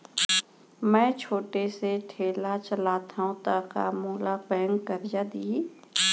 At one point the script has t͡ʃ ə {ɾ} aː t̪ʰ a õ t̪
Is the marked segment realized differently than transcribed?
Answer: yes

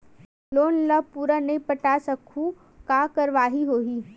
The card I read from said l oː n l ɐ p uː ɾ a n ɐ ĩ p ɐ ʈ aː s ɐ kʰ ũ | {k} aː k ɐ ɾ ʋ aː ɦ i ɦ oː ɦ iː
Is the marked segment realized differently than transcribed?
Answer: no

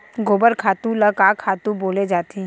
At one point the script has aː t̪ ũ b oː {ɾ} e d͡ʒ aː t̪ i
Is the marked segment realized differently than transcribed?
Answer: yes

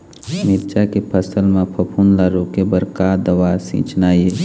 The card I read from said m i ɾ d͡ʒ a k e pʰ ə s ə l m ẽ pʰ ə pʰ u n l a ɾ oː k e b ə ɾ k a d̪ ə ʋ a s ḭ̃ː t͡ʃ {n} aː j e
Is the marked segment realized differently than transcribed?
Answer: no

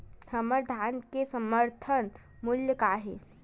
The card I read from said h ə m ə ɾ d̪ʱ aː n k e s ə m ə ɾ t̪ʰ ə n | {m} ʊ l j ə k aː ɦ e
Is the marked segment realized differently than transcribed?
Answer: no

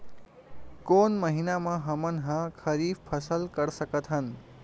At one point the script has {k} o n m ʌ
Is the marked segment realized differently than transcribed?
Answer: no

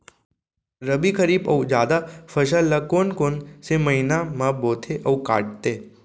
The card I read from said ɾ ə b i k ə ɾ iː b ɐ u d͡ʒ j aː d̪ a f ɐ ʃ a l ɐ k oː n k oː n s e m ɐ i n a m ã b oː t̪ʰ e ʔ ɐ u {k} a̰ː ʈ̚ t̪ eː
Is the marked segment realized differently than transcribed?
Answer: no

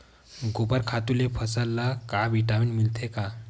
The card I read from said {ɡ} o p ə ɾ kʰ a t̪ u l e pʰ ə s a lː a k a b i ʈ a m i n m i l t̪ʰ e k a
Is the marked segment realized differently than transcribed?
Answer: no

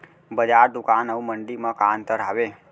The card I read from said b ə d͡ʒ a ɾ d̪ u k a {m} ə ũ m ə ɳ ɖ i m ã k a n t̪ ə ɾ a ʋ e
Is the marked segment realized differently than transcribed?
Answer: yes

